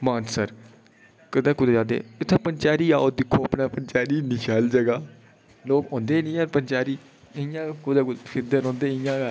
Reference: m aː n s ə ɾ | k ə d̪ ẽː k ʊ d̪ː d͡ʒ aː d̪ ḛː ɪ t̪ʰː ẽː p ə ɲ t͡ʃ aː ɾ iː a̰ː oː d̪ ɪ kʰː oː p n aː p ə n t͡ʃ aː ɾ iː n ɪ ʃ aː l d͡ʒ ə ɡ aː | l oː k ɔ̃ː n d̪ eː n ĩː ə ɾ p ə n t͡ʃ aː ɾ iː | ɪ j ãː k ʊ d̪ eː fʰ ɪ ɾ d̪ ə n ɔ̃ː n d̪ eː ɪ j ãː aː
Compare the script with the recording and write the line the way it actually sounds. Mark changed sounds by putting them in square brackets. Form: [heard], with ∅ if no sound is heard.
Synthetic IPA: m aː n s ə ɾ | k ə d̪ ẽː k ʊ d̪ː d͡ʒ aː d̪ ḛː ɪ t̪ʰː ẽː p ə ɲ t͡ʃ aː ɾ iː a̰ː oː d̪ ɪ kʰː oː p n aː p ə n t͡ʃ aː ɾ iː n ɪ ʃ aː l d͡ʒ ə ɡ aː | l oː k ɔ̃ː n d̪ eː n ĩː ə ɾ p ə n t͡ʃ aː ɾ iː | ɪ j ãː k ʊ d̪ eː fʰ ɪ ɾ d̪ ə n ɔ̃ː n d̪ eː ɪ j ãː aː